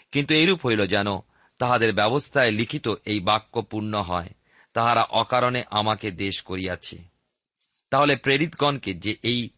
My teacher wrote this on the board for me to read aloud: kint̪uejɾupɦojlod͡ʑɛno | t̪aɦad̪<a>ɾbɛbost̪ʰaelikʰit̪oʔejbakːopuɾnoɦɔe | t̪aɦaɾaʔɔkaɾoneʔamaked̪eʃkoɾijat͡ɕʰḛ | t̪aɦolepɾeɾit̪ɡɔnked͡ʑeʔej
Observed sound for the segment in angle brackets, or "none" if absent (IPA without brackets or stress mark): e